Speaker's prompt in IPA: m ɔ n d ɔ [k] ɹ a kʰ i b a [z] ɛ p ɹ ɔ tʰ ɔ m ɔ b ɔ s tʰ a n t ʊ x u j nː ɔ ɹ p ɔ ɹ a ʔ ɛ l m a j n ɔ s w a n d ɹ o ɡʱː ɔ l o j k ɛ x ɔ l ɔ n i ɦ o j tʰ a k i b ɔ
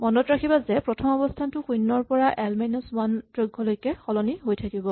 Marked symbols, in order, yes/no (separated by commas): no, yes